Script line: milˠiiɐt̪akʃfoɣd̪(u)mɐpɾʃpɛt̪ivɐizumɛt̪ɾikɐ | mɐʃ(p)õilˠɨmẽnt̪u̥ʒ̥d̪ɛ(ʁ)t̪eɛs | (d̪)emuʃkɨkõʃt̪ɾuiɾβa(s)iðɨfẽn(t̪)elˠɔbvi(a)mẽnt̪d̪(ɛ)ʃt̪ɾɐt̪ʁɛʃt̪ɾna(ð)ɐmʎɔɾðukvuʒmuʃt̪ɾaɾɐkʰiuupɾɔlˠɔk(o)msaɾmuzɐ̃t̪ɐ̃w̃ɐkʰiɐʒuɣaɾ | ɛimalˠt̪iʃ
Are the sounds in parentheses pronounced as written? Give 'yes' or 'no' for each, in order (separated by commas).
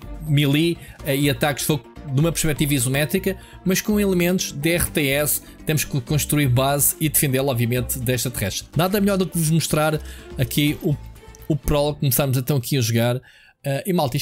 yes, no, yes, no, no, no, no, yes, yes, no